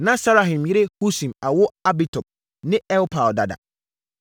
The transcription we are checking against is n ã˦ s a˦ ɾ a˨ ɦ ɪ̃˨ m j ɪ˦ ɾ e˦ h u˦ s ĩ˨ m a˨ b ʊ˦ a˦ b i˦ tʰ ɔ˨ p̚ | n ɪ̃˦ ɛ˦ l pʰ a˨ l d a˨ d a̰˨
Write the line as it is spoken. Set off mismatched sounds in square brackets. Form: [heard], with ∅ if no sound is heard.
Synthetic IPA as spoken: n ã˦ s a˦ ɾ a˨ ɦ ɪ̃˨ m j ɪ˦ ɾ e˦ h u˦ s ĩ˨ m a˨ [w] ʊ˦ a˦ b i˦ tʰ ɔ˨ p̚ | n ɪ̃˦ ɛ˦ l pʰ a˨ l d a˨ d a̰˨